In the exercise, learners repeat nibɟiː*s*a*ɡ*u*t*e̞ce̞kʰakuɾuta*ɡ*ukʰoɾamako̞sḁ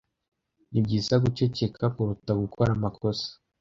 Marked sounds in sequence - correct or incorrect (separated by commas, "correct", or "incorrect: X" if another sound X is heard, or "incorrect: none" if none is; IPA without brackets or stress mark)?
correct, correct, incorrect: t͡ʃ, correct